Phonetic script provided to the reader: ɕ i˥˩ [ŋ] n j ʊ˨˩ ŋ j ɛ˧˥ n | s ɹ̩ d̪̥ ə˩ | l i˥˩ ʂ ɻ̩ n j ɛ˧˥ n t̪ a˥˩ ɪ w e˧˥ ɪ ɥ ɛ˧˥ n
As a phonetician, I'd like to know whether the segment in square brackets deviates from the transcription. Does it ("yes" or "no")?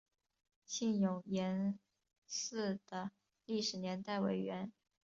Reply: yes